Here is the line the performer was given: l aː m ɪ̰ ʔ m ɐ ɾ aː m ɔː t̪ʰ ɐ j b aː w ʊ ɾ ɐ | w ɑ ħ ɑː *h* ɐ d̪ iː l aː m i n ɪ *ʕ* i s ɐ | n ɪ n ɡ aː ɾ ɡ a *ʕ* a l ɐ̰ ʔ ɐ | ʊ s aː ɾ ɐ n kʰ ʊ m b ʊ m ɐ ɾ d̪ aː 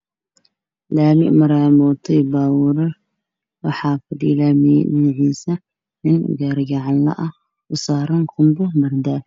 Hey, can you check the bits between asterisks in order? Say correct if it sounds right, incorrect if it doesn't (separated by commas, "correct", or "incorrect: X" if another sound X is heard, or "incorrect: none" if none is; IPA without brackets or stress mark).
incorrect: f, correct, correct